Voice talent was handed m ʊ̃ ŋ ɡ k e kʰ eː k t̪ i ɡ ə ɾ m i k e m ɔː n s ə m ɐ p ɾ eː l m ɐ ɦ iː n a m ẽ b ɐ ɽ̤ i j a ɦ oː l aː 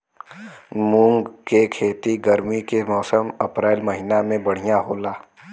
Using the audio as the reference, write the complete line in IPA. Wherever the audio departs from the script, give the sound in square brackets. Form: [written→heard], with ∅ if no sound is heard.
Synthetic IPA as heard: m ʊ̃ ŋ ɡ k e kʰ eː [k→∅] t̪ i ɡ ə ɾ m i k e m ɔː [n→∅] s ə m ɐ p ɾ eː l m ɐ ɦ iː n a m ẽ b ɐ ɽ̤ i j a ɦ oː l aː